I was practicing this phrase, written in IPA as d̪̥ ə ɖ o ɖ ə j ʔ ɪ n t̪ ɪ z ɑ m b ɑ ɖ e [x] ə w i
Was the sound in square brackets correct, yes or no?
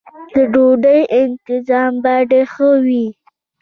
yes